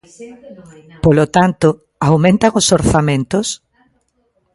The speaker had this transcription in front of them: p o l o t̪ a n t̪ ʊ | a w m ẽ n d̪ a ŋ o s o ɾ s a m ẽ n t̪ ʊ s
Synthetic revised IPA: p o l o t̪ a n t̪ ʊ | a w m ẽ n t̪ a ŋ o s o ɾ θ a m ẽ n t̪ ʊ s

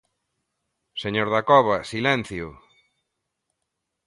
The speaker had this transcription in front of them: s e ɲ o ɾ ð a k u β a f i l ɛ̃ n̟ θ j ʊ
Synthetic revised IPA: s e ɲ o ɾ ð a k ɔ β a s i l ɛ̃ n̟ θ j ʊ

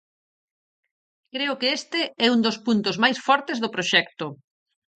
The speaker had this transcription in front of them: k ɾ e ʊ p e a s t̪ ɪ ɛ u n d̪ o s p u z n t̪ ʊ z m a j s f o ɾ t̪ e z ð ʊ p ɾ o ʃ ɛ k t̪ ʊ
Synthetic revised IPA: k ɾ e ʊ k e e s t̪ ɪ ɛ u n d̪ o s p u n t̪ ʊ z m a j s f ɔ ɾ t̪ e z ð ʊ p ɾ o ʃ ɛ k t̪ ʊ

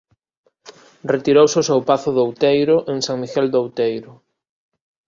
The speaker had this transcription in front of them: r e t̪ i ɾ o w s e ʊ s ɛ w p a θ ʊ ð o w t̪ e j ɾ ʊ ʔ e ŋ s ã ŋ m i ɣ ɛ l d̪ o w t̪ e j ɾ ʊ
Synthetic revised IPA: r e t̪ i ɾ o w s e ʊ s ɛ w p a θ ʊ ð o w t̪ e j ɾ ʊ ʔ e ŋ s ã ŋ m i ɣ ɛ l d̪ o w t̪ e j ɾ ʊ

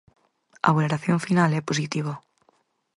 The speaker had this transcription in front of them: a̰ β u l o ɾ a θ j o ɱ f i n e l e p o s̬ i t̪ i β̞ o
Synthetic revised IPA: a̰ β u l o ɾ a θ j o ɱ f i n a l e p o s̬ i t̪ i β̞ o

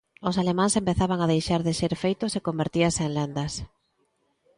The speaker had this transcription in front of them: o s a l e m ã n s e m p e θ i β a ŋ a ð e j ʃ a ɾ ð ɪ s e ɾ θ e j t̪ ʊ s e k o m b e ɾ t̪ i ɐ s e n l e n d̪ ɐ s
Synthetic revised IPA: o s a l e m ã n s e m p e θ a β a ŋ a ð e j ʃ a ɾ ð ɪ ʃ e ɾ f e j t̪ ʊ s e k o m b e ɾ t̪ i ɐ s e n l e n d̪ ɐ s

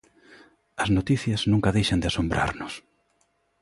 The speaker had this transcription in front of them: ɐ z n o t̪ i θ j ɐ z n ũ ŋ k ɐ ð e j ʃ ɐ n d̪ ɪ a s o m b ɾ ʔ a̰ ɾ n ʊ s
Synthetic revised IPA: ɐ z n o t̪ i θ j ɐ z n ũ ŋ k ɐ ð e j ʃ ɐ n d̪ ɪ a s o m b ɾ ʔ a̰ ɾ n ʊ s

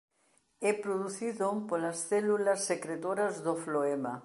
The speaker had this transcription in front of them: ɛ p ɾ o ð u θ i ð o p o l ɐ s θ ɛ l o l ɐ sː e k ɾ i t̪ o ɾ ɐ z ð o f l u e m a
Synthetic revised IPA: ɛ p ɾ o ð u θ i ð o p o l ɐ s θ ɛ l u l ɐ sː e k ɾ e t̪ o ɾ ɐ z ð o f l o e m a

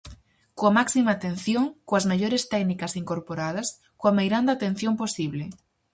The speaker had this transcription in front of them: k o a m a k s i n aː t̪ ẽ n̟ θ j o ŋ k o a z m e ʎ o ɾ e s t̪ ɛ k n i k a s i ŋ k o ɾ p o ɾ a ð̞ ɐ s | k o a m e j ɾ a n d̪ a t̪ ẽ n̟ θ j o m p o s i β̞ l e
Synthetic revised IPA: k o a m a k s i m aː t̪ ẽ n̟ θ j o ŋ k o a z m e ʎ o ɾ e s t̪ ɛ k n i k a s i ŋ k o ɾ p o ɾ a ð̞ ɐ s | k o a m e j ɾ a n d̪ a t̪ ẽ n̟ θ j o m p o s i β̞ l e

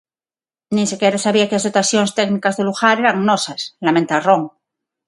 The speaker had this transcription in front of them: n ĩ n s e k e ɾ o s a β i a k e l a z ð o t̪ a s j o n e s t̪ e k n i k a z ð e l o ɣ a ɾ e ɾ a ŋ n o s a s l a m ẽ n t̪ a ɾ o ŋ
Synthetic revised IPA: n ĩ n s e k e ɾ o s a β i a k e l a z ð o t̪ a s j o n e s t̪ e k n i k a z ð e l u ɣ a ɾ e ɾ a ŋ n o s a s l a m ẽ n t̪ a r o ŋ

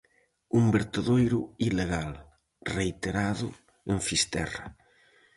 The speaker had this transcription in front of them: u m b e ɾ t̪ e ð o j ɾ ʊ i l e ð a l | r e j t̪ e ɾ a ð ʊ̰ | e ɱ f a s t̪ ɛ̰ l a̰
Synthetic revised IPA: u m b e ɾ t̪ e ð o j ɾ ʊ i l e ɣ a l | r e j t̪ e ɾ a ð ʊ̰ | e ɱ f i s t̪ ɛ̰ r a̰

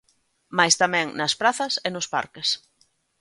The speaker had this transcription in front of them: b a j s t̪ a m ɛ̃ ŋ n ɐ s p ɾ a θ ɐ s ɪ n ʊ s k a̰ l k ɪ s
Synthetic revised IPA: m a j s t̪ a m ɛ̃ ŋ n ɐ s p ɾ a θ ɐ s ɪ n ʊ s p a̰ ɾ k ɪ s

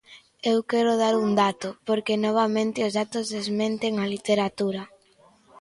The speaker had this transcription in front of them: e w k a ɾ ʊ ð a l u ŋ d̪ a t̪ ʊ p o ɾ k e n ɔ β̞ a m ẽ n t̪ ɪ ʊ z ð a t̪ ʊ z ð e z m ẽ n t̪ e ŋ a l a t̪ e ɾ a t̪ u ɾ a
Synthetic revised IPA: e w k ɛ ɾ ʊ ð a ɾ u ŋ d̪ a t̪ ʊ p o ɾ k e n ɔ β̞ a m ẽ n t̪ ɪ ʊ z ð a t̪ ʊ z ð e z m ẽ n t̪ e ŋ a l i t̪ e ɾ a t̪ u ɾ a

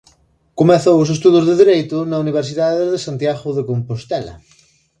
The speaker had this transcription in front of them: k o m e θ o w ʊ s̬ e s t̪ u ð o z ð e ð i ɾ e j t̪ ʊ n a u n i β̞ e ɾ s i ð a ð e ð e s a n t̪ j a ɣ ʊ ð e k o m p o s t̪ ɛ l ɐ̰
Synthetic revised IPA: k o m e θ o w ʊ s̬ e s t̪ u ð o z ð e ð i ɾ e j t̪ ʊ n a u n i β̞ e ɾ s i ð a ð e ð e s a n t̪ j a ɣ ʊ ð e k o m p o s t̪ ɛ l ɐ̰

